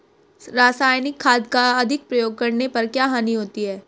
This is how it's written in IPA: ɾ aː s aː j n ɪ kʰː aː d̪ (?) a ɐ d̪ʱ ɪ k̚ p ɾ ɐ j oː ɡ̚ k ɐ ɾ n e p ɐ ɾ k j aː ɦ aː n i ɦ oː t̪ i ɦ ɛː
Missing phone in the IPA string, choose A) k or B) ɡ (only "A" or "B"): A